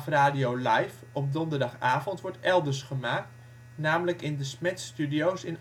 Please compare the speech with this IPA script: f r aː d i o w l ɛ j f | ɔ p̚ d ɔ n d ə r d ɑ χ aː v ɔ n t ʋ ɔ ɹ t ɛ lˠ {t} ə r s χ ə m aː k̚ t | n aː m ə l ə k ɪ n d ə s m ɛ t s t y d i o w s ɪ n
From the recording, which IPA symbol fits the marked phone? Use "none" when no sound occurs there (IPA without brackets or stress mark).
d